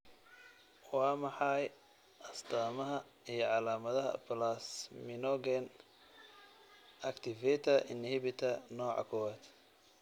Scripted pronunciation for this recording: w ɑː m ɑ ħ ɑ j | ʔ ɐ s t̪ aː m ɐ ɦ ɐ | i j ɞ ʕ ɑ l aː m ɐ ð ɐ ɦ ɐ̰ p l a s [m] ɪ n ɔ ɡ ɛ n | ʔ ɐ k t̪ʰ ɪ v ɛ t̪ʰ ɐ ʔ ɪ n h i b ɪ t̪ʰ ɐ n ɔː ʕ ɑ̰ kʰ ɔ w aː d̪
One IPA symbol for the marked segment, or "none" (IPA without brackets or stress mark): m